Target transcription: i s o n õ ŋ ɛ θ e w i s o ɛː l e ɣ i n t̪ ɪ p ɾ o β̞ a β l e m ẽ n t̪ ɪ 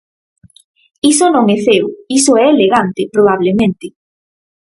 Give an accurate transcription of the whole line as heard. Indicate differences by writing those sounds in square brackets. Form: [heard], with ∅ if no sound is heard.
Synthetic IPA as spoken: i s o n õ ŋ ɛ θ e w i s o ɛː l e ɣ [a] n t̪ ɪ p ɾ o β̞ a β l e m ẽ n t̪ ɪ